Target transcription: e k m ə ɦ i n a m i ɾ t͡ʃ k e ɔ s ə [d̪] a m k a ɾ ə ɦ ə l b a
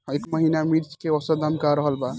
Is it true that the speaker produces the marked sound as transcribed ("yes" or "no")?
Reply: yes